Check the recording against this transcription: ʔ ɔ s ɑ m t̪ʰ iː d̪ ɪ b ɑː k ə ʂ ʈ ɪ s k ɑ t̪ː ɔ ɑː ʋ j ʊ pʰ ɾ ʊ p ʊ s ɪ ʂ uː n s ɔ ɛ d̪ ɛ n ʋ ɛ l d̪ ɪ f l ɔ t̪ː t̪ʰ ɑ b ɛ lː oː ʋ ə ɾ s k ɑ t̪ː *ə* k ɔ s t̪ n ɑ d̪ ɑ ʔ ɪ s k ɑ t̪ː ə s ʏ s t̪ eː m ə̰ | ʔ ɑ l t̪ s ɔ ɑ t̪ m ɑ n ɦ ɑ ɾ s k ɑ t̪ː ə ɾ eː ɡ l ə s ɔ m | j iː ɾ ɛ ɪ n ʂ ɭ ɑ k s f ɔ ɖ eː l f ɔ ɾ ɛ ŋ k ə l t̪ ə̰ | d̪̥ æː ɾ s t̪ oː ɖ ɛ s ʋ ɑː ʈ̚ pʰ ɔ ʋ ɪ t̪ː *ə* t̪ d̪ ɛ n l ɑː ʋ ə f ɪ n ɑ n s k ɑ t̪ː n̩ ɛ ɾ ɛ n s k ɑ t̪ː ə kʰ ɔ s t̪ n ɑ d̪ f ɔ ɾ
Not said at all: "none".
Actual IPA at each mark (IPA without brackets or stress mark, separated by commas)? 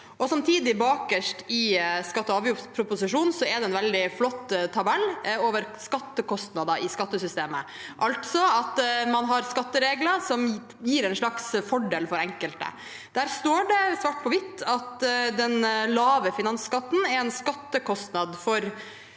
ə, ɑ